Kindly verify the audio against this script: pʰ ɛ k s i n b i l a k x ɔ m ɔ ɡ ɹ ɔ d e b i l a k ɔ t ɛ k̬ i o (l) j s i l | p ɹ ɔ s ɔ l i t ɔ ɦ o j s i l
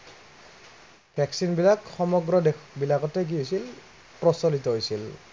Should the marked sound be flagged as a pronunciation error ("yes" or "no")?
yes